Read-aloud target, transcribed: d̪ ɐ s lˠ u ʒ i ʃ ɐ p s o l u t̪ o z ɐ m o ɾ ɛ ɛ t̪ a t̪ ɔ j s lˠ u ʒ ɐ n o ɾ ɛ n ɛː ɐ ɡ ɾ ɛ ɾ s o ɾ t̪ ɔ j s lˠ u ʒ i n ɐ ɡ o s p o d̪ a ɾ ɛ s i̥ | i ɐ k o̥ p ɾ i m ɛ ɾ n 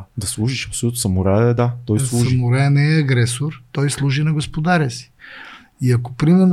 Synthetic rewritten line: d̪ ɐ s lˠ u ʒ i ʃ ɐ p s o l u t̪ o s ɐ m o ɾ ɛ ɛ d̪ a t̪ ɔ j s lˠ u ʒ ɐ m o ɾ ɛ n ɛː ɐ ɡ ɾ ɛ s o ɾ t̪ ɔ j s lˠ u ʒ i n ɐ ɡ o s p o d̪ a ɾ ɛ s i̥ | i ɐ k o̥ p ɾ i m ɛ ɾ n